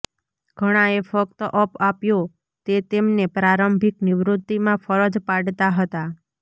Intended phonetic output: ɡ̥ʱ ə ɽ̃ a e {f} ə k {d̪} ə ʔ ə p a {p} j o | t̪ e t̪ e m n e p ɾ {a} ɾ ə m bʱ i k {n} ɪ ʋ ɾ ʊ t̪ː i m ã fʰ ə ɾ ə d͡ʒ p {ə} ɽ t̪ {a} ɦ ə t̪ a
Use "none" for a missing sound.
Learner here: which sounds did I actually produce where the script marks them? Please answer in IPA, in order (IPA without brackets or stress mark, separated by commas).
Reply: f, t̪, p, a, n, a, a